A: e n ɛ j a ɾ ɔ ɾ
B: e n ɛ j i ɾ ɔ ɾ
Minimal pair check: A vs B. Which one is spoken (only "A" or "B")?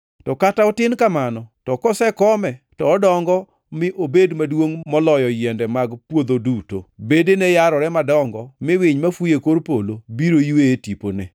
A